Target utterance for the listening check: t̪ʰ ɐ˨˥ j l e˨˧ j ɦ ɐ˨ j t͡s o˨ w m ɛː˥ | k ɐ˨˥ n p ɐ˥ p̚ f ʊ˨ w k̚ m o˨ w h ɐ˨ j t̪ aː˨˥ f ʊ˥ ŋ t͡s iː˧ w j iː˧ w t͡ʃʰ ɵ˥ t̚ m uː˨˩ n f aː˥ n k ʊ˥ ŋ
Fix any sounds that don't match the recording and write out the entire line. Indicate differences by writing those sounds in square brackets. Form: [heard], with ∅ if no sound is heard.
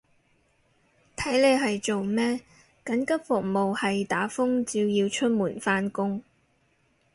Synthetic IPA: t̪ʰ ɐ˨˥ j l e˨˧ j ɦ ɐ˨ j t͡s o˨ w m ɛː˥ | k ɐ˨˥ n [k] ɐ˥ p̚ f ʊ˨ [∅] k̚ m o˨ w h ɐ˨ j t̪ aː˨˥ f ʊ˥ ŋ t͡s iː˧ w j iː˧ w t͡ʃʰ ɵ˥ t̚ m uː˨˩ n f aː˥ n k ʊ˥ ŋ